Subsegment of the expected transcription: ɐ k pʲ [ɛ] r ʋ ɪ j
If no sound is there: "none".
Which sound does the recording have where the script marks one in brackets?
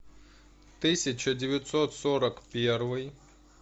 ɛ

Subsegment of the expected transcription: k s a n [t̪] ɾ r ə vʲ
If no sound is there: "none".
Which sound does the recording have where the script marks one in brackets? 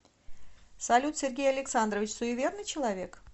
d̪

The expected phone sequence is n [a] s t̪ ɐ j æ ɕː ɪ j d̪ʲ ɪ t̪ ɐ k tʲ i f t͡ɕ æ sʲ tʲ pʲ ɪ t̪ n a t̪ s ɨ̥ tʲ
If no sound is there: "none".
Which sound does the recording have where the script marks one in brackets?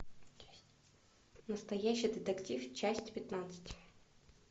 ə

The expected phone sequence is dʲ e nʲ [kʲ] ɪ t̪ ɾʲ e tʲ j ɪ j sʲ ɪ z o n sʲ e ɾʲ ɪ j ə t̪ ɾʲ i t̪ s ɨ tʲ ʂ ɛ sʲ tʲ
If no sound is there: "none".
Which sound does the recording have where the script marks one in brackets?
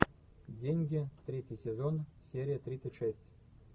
ɡʲ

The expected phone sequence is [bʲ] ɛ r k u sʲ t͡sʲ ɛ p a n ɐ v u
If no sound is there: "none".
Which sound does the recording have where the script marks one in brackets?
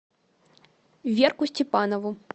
vʲ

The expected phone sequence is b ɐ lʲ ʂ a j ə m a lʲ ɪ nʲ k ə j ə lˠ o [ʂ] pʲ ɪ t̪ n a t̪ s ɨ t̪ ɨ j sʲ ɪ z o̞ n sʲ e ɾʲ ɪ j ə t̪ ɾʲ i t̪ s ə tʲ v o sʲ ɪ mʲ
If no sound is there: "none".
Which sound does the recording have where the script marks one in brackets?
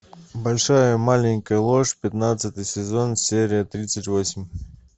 ʂ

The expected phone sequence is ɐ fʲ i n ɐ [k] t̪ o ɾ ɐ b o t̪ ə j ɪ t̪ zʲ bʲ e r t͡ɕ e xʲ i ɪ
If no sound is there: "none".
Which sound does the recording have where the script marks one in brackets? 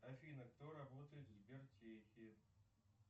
k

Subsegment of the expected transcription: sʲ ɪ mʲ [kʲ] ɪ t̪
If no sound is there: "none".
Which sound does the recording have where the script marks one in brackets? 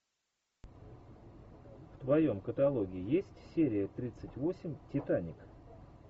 tʲ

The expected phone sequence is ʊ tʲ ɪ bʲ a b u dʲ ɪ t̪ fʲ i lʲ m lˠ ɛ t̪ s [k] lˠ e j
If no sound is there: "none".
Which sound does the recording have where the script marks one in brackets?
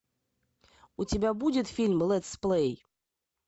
p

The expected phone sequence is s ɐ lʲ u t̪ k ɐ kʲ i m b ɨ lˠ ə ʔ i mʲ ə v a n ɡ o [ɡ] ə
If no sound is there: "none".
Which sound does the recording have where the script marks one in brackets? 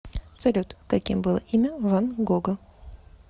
ɡ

